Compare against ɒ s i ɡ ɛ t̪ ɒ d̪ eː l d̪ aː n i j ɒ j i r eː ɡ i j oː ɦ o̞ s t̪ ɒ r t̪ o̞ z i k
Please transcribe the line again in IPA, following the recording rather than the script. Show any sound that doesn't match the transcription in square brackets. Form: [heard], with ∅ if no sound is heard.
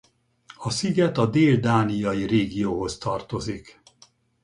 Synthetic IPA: ɒ s i ɡ ɛ t̪ ɒ d̪ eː l d̪ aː n i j ɒ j i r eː ɡ i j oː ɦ o̞ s t̪ ɒ r t̪ o̞ z i k